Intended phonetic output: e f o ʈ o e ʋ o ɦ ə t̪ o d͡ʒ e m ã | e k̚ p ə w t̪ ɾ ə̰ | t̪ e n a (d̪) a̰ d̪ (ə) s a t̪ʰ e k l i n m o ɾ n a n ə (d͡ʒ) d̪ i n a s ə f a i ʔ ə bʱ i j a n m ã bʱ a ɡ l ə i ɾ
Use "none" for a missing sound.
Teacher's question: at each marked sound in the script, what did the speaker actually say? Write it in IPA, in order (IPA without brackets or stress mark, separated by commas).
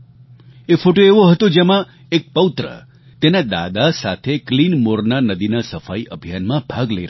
d̪, a, none